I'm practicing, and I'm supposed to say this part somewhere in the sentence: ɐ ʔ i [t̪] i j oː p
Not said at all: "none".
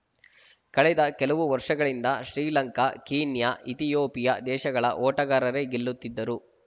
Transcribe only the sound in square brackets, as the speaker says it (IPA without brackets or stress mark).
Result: t̪